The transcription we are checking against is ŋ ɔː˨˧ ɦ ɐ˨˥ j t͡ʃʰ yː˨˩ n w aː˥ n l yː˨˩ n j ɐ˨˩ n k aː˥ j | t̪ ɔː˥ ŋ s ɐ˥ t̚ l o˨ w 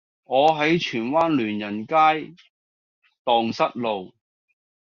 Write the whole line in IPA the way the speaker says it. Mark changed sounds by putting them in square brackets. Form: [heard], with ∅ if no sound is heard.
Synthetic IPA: ŋ ɔː˨˧ ɦ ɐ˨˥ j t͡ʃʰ yː˨˩ n w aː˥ n l yː˨˩ n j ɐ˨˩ n k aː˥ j | t̪ [ɔː˨] ŋ s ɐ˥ t̚ l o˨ w